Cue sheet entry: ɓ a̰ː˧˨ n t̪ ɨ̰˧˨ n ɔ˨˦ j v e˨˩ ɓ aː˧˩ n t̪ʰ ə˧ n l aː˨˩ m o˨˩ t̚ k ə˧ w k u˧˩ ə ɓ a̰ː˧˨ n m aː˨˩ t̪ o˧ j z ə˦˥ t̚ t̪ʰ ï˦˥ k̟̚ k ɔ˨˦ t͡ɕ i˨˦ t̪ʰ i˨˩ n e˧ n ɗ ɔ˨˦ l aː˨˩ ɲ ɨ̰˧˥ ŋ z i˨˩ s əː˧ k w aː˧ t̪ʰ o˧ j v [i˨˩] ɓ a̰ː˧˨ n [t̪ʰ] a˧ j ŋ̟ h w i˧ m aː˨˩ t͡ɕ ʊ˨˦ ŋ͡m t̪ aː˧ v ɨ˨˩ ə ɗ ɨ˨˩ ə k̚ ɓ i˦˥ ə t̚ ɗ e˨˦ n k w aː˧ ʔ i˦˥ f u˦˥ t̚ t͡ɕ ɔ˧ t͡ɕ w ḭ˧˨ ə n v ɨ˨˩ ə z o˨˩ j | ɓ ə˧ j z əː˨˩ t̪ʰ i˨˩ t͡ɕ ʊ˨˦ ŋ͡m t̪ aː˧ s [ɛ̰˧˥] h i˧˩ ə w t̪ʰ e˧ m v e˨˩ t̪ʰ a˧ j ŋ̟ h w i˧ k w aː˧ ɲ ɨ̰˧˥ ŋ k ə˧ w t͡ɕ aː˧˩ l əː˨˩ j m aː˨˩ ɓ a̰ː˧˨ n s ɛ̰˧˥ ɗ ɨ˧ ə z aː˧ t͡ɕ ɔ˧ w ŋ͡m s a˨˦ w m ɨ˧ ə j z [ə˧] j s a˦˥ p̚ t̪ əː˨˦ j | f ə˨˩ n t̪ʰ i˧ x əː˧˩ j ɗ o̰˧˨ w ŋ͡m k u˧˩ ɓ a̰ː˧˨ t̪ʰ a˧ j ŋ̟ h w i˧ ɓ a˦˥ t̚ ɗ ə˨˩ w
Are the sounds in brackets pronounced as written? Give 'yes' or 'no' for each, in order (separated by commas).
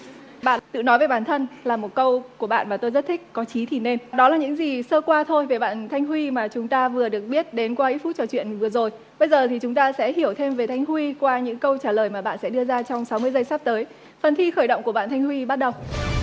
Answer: no, yes, yes, yes